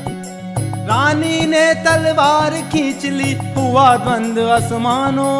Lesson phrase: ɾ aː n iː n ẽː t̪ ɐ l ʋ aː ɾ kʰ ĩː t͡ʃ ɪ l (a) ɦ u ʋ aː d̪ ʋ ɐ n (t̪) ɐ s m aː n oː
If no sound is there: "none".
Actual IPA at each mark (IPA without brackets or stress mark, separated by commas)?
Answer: i, d̪